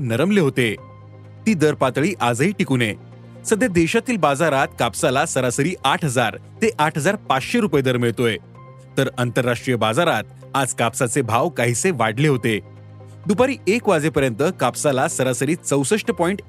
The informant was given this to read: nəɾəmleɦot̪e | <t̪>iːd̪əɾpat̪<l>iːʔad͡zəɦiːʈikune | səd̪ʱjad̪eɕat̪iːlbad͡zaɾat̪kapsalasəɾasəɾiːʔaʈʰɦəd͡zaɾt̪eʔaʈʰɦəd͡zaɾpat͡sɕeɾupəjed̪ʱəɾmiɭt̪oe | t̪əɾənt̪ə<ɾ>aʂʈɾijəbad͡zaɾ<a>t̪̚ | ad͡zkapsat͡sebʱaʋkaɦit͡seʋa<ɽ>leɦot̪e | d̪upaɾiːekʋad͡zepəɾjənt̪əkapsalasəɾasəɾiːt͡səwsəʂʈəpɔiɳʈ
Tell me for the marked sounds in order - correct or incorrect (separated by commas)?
correct, incorrect, incorrect, correct, correct